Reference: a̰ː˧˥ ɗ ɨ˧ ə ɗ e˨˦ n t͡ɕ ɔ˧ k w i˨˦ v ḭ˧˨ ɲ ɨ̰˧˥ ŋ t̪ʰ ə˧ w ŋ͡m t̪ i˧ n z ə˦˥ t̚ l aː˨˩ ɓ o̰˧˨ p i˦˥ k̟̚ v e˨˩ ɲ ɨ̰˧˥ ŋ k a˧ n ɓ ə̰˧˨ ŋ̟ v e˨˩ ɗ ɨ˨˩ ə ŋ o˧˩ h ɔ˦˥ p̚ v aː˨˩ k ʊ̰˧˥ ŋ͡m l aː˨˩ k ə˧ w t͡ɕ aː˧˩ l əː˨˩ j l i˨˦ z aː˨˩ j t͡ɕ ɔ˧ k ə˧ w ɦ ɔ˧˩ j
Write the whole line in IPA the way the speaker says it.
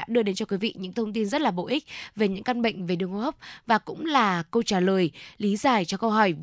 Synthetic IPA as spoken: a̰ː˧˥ ɗ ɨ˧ ə ɗ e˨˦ n t͡ɕ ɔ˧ k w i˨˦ v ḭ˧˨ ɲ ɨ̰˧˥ ŋ t̪ʰ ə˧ w ŋ͡m t̪ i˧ n z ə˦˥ t̚ l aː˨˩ ɓ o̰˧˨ ʔ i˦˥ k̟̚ v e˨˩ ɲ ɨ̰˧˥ ŋ k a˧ n ɓ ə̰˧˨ ŋ̟ v e˨˩ ɗ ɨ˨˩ ə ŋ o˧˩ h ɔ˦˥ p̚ v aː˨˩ k ʊ̰˧˥ ŋ͡m l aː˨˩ k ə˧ w t͡ɕ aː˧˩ l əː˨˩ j l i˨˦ z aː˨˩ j t͡ɕ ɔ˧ k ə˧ w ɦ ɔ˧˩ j